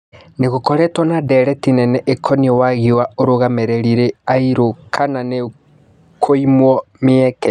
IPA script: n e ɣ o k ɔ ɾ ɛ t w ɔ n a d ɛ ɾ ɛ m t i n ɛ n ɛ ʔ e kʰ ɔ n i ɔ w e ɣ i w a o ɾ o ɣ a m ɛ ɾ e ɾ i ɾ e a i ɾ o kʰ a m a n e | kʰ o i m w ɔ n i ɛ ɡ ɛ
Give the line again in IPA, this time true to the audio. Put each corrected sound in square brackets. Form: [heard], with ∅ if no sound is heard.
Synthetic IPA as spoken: n e ɣ o k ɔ ɾ ɛ t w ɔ n a d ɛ ɾ ɛ [∅] t i n ɛ n ɛ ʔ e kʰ ɔ n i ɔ w [a] ɣ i w a o ɾ o ɣ a m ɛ ɾ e ɾ i ɾ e a i ɾ o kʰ a [n] a n e | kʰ o i m w ɔ [m] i ɛ [k] ɛ